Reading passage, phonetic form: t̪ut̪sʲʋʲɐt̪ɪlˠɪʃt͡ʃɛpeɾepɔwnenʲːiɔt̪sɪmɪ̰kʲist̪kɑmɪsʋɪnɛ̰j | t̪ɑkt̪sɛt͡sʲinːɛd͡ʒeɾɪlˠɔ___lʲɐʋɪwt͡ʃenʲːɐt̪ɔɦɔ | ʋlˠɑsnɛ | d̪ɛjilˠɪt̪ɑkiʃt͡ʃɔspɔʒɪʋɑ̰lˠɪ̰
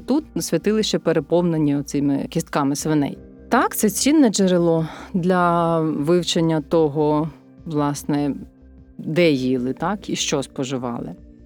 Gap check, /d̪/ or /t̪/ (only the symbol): d̪